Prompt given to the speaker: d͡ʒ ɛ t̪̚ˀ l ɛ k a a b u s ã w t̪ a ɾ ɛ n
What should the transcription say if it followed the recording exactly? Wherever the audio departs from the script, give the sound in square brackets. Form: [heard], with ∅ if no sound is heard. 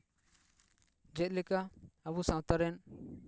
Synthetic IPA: d͡ʒ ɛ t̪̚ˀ l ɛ k a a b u s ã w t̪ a ɾ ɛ n